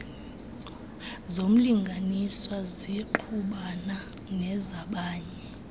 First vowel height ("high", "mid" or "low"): mid